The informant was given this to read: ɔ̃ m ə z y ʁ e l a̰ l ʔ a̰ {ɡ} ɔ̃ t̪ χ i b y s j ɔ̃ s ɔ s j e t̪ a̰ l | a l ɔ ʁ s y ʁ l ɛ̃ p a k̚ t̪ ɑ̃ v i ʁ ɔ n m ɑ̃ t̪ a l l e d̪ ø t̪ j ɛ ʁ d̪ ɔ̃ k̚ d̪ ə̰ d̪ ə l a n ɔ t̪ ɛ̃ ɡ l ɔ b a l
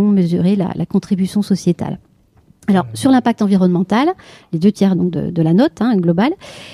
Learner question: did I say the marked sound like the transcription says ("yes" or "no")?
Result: no